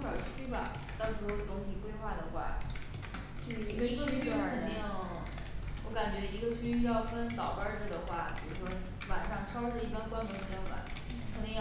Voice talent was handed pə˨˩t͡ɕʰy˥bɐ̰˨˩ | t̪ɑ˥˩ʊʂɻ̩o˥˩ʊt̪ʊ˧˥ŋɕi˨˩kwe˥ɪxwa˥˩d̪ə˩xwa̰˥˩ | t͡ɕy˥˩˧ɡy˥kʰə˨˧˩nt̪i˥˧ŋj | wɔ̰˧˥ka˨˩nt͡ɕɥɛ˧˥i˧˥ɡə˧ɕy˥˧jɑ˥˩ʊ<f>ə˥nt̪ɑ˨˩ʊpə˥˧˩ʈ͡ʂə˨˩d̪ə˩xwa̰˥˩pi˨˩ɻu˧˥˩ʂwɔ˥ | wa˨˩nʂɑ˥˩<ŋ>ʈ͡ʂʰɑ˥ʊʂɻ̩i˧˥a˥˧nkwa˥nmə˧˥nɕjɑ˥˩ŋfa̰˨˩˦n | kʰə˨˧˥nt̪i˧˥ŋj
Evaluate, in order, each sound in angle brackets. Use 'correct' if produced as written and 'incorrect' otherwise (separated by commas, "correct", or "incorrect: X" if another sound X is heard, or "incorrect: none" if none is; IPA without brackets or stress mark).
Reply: correct, correct